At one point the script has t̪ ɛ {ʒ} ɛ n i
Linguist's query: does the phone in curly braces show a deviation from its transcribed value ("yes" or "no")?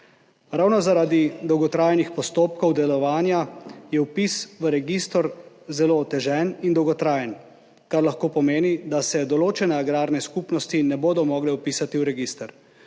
no